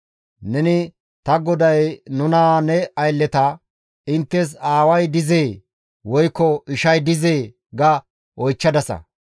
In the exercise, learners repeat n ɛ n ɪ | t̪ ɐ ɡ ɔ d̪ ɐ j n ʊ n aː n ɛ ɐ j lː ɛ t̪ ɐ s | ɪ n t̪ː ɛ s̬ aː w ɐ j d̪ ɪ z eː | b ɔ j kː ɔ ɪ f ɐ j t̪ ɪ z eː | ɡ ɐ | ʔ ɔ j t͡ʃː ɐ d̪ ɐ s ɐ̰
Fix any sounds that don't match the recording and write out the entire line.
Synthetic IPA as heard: n ɛ n ɪ | t̪ ɐ ɡ ɔ d̪ ɐ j n ʊ n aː n ɛ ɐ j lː ɛ t̪ ɐ | ɪ n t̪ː ɛ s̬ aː w ɐ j d̪ ɪ z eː | w ɔ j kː ɔ ɪ ʃ ɐ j d̪ ɪ z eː | ɡ ɐ | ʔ ɔ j t͡ʃː ɐ d̪ ɐ s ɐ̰